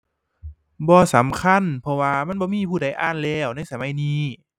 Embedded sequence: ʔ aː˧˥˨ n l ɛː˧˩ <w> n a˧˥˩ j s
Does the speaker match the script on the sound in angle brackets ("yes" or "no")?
yes